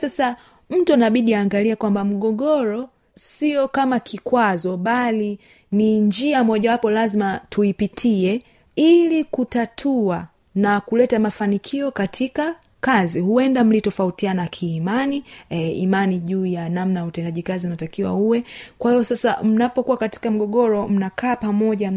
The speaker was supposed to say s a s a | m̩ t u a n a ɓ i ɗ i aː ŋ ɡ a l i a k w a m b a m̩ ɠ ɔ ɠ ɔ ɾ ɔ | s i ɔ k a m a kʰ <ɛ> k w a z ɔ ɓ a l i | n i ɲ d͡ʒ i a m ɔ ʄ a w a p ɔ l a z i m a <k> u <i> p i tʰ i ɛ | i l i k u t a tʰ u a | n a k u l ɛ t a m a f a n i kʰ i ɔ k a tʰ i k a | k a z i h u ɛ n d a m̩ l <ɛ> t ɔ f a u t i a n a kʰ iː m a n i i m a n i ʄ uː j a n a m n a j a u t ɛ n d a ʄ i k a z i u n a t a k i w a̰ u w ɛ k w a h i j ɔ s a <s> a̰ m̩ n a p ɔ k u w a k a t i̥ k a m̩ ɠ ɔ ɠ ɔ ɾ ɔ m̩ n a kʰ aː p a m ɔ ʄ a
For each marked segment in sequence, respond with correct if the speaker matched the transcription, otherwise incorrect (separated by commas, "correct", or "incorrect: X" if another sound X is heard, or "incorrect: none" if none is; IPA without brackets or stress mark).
incorrect: i, incorrect: t, correct, incorrect: i, correct